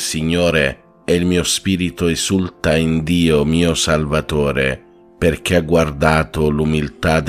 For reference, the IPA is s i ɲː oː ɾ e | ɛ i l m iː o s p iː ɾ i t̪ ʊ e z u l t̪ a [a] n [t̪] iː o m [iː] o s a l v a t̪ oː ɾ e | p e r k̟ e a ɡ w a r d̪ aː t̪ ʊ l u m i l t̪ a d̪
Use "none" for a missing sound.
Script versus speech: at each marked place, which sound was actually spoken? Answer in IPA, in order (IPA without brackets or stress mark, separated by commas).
i, d̪, iː